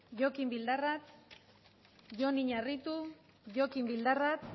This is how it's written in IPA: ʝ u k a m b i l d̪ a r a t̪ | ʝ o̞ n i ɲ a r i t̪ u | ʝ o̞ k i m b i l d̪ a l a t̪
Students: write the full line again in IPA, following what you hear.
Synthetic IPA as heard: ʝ o k i m b i l d̪ a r a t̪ | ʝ o̞ n i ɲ a r i t̪ u | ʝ o̞ k i m b i l d̪ a r a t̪